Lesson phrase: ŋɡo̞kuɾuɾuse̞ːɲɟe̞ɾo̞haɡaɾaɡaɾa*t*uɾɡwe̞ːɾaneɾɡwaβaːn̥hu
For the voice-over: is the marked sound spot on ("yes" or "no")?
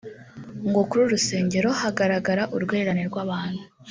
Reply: no